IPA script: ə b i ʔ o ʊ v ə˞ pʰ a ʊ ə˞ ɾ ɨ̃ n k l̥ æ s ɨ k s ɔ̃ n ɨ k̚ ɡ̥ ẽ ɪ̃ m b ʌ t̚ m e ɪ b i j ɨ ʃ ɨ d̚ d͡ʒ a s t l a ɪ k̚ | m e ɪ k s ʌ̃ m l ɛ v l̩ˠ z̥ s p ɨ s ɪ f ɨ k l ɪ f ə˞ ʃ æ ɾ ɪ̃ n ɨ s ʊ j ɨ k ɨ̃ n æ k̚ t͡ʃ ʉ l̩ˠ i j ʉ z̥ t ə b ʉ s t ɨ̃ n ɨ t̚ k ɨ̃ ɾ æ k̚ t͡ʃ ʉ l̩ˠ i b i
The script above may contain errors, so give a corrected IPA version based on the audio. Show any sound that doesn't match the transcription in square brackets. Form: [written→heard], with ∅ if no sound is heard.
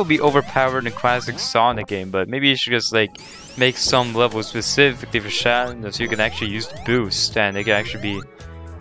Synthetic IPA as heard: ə b i ʔ o ʊ v ə˞ pʰ a ʊ ə˞ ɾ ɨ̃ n [k→kʰ] l̥ æ s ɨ k s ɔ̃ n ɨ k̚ ɡ̥ ẽ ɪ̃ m b ʌ t̚ m e ɪ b i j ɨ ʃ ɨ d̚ d͡ʒ [a→ʌ] s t l a ɪ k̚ | m e ɪ k s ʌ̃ m l ɛ v l̩ˠ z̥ s p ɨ s ɪ f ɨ k l [ɪ→i] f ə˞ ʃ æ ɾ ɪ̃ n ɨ s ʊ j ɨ k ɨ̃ n æ k̚ t͡ʃ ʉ l̩ˠ i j ʉ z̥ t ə b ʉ s t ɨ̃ n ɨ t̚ k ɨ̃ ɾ æ k̚ t͡ʃ ʉ l̩ˠ i b i